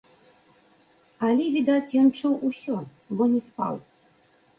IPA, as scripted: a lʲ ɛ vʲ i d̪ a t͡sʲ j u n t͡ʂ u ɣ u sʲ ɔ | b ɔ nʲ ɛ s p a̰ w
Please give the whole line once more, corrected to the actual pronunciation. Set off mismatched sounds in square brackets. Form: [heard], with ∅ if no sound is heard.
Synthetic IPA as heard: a lʲ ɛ vʲ i d̪ a t͡sʲ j [ɔ] n t͡ʂ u [w] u sʲ ɔ | b ɔ nʲ ɛ s p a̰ w